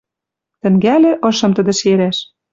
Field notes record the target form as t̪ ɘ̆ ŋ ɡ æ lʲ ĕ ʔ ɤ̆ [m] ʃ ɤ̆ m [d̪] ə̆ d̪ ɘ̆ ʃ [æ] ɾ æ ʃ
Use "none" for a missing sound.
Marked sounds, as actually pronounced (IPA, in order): none, t̪, e

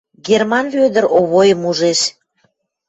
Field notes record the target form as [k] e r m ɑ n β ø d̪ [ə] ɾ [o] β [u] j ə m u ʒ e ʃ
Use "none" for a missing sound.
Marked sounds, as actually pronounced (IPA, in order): ɡ, ə, o, o

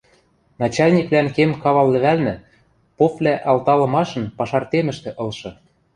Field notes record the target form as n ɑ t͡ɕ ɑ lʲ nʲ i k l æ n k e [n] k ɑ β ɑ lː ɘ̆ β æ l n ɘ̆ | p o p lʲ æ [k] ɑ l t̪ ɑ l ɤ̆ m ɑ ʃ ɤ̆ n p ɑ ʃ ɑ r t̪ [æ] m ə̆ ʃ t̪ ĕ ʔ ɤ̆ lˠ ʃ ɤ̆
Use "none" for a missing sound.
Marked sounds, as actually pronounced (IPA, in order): m, ʔ, e

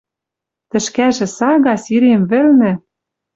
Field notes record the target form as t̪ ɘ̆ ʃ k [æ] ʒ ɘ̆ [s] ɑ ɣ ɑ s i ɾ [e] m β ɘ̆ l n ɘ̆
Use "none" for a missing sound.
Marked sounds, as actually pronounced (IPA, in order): æ, s, e

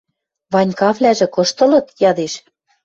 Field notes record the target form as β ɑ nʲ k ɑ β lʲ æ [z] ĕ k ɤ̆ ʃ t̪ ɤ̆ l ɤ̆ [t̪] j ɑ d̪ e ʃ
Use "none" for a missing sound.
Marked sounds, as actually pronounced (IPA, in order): ʒ, t̪

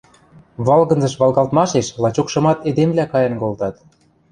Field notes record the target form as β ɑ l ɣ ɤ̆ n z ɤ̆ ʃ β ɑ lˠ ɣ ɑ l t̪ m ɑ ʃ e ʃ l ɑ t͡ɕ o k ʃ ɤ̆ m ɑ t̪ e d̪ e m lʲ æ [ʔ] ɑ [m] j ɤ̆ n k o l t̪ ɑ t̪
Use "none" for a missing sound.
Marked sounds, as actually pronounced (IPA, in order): k, none

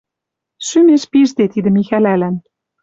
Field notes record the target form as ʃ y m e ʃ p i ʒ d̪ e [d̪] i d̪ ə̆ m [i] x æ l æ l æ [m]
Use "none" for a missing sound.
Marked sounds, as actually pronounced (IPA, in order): t̪, i, n

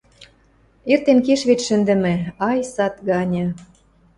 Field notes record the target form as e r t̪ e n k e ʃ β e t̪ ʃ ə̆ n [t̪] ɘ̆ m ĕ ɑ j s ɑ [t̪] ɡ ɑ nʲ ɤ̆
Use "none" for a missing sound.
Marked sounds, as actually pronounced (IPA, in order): d̪, t̪

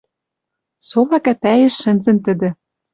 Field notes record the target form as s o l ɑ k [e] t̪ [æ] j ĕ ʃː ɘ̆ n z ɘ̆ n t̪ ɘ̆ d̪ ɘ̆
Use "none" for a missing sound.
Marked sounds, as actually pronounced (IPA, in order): æ, æ

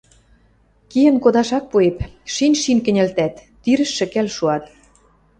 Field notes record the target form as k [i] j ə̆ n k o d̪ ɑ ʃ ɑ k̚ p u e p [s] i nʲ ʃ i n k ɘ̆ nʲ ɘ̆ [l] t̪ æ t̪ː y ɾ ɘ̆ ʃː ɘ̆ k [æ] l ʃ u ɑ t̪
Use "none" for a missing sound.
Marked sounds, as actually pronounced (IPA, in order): i, ʃ, l, æ

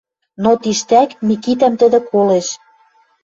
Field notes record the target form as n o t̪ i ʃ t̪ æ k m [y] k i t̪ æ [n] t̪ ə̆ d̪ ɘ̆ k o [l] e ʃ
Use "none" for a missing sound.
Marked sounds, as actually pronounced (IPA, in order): i, m, l

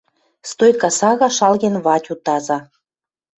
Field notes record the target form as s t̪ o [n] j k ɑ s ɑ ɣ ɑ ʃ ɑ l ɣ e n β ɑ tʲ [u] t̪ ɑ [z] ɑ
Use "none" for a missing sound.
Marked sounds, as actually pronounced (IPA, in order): none, u, z

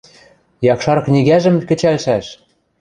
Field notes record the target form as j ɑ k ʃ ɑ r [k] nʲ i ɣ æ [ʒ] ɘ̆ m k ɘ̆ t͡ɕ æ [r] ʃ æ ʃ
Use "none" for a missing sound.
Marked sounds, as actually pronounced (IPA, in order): k, ʒ, l

